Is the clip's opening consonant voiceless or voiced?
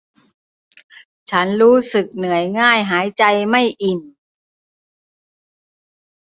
voiceless